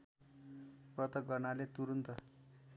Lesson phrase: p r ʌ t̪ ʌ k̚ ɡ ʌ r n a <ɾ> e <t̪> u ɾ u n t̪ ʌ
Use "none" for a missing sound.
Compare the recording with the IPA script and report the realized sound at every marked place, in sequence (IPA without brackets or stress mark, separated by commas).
l, t̪